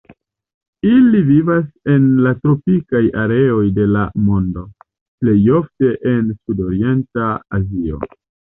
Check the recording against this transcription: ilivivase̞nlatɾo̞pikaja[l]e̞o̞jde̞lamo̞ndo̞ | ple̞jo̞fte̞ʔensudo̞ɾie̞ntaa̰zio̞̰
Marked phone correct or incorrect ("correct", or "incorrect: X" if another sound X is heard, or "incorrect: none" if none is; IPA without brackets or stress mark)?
incorrect: ɾ